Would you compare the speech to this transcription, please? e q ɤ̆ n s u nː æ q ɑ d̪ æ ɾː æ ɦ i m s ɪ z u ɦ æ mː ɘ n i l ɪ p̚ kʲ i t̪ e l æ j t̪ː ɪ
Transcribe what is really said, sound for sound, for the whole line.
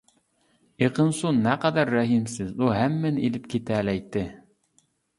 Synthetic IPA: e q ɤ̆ n s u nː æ q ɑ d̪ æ ɾː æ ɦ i m s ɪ z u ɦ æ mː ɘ n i l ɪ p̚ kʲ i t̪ æ l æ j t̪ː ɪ